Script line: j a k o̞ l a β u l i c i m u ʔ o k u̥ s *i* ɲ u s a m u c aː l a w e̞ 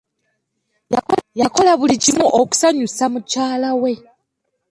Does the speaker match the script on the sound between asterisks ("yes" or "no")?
no